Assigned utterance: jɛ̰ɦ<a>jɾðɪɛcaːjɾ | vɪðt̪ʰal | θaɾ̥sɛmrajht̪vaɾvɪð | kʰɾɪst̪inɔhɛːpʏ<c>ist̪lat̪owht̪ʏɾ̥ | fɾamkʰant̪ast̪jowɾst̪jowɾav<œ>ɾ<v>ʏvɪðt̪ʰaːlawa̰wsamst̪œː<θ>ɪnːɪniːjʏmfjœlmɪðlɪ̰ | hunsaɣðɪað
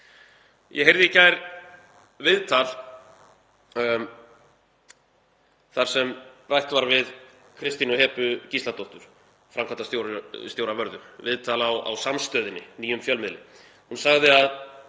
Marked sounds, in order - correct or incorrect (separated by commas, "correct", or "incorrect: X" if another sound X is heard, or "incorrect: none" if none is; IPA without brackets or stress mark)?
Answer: incorrect: e, correct, correct, incorrect: ð, incorrect: ð